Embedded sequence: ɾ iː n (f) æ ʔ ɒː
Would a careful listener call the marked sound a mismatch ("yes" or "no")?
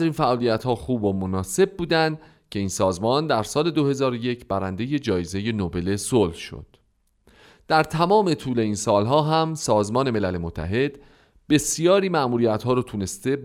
no